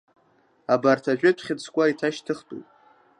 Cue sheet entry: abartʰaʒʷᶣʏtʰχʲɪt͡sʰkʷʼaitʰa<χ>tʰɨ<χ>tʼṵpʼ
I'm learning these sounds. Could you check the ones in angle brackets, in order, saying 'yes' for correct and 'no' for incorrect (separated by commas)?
no, yes